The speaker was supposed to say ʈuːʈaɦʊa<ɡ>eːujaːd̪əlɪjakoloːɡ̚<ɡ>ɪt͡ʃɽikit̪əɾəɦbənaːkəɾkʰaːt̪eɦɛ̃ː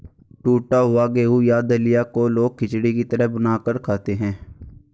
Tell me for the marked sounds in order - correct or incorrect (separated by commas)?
correct, incorrect